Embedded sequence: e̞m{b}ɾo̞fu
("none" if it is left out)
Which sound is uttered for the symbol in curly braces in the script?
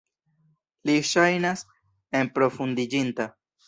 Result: p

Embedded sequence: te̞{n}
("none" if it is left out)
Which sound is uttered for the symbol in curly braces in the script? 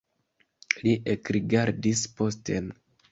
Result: n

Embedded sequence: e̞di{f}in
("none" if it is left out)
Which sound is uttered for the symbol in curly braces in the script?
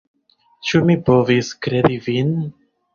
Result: v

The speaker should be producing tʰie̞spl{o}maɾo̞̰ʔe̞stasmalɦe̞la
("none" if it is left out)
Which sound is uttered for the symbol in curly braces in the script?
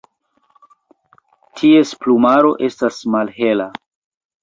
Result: u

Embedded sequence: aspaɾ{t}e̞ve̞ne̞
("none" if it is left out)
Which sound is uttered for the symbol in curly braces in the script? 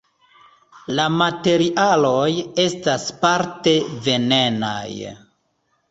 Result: t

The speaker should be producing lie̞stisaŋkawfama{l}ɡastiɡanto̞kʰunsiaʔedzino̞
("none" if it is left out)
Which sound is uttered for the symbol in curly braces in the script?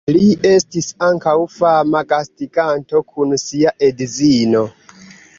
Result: none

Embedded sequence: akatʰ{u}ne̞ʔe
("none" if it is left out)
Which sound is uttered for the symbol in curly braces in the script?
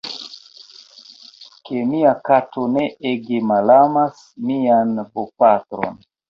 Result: o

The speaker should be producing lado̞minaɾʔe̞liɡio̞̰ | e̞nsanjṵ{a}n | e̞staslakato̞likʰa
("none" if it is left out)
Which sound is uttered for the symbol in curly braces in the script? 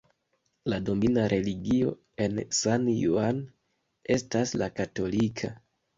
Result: a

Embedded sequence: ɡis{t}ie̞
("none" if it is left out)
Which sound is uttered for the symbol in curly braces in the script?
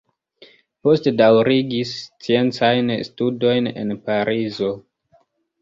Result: t͡s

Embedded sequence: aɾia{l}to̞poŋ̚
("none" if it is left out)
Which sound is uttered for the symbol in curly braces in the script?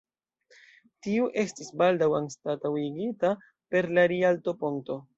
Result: l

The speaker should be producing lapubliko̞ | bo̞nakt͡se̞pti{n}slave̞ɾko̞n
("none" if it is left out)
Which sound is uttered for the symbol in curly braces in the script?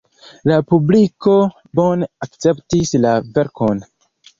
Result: none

